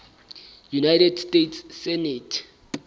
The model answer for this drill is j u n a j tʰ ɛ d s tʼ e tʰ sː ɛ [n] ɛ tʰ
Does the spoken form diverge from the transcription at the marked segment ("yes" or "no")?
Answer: no